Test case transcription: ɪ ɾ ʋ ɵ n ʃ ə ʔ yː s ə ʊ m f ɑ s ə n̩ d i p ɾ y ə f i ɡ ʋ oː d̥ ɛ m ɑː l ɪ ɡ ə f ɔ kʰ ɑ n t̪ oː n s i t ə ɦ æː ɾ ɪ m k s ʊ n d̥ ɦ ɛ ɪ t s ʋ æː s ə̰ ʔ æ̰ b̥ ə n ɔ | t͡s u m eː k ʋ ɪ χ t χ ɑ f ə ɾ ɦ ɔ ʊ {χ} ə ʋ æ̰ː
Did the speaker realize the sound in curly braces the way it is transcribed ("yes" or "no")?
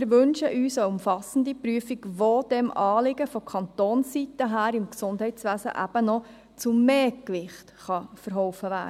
no